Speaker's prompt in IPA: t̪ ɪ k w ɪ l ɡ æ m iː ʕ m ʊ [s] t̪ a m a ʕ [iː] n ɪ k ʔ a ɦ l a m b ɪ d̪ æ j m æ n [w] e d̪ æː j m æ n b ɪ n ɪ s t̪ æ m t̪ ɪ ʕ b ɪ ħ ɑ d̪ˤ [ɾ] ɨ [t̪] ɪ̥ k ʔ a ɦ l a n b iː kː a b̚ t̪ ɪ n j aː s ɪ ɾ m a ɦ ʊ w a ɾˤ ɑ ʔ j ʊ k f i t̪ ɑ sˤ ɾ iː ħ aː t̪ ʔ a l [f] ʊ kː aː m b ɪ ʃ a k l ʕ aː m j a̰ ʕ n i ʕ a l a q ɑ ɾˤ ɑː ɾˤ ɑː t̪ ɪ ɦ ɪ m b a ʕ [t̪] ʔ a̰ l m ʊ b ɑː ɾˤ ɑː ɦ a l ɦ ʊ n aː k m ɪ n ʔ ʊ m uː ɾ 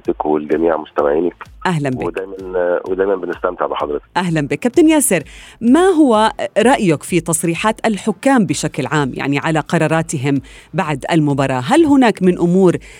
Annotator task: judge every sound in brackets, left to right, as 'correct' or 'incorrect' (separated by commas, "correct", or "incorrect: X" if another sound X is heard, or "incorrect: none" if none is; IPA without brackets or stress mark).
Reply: correct, correct, correct, correct, correct, incorrect: ħ, incorrect: d̪